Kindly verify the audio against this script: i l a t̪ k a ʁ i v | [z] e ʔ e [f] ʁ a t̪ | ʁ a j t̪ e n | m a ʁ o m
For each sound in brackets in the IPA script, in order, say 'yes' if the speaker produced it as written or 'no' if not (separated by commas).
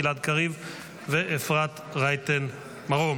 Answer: no, yes